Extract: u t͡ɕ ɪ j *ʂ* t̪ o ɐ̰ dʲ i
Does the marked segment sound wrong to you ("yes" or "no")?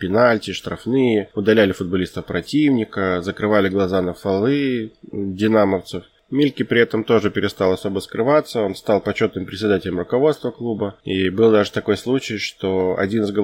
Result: no